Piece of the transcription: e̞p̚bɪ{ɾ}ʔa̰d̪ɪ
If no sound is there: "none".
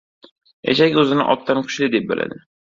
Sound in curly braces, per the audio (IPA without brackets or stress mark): l